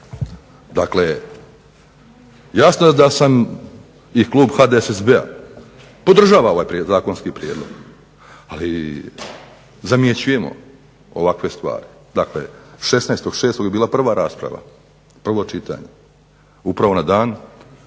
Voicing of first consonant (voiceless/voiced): voiced